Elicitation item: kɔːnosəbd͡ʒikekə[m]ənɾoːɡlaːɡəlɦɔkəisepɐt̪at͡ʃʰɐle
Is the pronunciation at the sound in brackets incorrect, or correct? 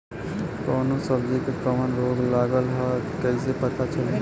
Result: correct